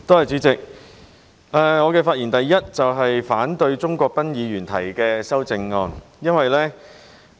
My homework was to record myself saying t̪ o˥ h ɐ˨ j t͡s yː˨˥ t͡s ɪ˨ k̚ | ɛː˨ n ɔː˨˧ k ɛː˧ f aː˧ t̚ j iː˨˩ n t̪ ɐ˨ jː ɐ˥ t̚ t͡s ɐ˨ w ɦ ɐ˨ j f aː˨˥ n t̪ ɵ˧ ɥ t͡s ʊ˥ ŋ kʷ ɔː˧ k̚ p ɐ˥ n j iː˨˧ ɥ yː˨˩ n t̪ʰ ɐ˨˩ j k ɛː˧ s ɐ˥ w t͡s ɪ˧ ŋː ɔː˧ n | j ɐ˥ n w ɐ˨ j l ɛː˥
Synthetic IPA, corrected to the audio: t̪ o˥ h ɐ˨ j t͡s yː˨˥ t͡s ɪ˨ k̚ | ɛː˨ ŋ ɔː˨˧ k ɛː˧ f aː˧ t̚ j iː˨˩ n t̪ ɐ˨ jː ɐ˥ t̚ t͡s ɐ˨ w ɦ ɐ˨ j f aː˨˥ n t̪ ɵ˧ ɥ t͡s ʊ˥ ŋ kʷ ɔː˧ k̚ p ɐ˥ n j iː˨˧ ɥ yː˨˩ n t̪ʰ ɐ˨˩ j k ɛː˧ s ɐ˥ w t͡s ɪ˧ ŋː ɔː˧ n | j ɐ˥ n w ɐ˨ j l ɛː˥